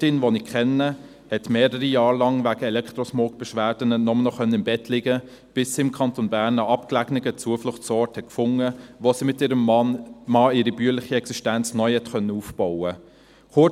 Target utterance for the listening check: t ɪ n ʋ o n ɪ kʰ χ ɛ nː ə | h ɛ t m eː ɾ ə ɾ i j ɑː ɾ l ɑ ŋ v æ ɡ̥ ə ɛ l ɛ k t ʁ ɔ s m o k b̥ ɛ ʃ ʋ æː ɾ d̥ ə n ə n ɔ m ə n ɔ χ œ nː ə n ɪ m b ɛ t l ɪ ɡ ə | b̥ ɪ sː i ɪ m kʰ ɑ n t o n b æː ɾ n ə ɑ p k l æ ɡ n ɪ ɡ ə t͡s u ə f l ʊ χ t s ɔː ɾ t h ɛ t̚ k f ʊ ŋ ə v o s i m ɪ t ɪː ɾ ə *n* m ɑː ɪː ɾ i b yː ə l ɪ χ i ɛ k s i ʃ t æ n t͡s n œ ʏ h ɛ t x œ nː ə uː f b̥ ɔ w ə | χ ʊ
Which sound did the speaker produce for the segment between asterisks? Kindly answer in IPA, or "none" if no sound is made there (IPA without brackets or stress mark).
m